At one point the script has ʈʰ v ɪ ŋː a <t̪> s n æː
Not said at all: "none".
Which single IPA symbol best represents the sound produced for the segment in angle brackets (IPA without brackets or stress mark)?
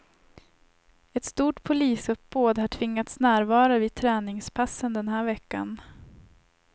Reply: t̪